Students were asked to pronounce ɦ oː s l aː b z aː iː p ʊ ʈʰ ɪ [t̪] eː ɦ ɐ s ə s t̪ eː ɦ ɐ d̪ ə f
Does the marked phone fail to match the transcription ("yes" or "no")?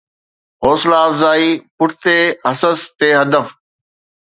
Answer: no